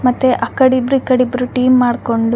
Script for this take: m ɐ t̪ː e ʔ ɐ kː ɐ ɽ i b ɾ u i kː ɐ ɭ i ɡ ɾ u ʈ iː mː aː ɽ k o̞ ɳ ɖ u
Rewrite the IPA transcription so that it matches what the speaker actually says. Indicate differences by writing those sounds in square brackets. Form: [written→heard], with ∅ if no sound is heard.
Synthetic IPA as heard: m ɐ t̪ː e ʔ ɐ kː ɐ ɽ i b ɾ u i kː ɐ [ɭ→ɽ] i [ɡ→b] ɾ u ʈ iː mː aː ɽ k o̞ ɳ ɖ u